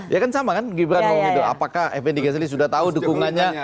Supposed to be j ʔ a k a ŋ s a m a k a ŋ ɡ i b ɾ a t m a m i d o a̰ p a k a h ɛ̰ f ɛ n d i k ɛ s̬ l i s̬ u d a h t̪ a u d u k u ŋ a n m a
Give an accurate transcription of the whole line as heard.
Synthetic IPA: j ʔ a k a n s a m a k a n ɡ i b ɾ a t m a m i d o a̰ p a k a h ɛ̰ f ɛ n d i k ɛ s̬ l i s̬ u d a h t̪ a u d u k u ŋ a n ɲ a